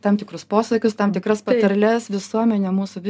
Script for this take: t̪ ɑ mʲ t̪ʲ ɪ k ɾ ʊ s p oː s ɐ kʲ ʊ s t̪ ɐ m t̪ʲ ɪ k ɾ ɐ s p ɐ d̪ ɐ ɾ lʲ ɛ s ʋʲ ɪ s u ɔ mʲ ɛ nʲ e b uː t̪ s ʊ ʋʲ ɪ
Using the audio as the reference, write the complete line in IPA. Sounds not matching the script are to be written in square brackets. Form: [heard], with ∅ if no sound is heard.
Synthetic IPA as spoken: t̪ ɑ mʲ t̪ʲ ɪ k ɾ ʊ s p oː s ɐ kʲ ʊ s t̪ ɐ m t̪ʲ ɪ k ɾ ɐ s p ɐ [t̪] ɐ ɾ lʲ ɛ s ʋʲ ɪ s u ɔ mʲ ɛ nʲ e [m] uː [∅] s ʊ ʋʲ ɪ